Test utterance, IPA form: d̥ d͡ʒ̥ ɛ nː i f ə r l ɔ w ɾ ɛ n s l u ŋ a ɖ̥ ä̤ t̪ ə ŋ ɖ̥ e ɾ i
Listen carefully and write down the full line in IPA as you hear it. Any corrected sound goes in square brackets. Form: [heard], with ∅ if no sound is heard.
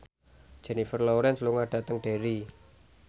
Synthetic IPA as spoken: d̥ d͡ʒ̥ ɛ [n] i f ə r l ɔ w ɾ ɛ n s l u ŋ a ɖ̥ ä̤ t̪ ə ŋ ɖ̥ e ɾ i